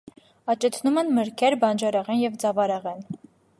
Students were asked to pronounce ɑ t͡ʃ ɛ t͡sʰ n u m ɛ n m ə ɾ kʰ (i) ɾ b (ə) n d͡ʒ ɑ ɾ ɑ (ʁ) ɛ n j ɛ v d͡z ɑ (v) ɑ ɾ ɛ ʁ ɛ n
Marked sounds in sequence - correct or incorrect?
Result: incorrect: ɛ, incorrect: ɑ, correct, correct

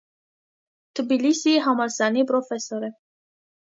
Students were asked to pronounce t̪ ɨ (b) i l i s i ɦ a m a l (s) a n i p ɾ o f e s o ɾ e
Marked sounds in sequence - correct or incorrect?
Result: correct, correct

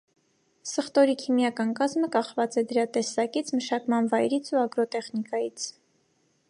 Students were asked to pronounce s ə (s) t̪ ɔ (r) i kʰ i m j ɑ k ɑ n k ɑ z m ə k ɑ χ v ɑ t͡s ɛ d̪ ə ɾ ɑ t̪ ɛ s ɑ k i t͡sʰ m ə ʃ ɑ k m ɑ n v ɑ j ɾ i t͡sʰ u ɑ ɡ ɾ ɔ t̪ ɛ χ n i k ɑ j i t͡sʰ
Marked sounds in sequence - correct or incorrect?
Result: incorrect: χ, incorrect: ɾ

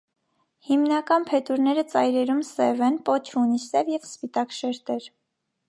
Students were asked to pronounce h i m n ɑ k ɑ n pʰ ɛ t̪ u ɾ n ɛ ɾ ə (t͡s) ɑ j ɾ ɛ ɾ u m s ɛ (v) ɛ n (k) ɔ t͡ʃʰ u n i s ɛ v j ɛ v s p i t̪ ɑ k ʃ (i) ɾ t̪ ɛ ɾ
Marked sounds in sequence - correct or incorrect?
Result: correct, correct, incorrect: p, incorrect: ɛ

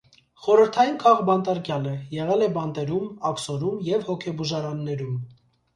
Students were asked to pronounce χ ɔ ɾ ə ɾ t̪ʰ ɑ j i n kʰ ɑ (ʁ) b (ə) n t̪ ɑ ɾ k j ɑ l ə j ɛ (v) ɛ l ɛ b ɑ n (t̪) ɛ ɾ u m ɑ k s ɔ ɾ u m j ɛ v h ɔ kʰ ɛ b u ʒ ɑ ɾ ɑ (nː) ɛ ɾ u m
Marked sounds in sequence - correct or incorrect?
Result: correct, incorrect: ɑ, incorrect: ʁ, correct, correct

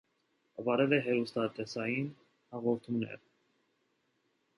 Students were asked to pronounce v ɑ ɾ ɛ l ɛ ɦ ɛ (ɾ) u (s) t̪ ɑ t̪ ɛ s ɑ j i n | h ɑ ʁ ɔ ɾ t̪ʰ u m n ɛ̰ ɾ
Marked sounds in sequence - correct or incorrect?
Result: correct, correct

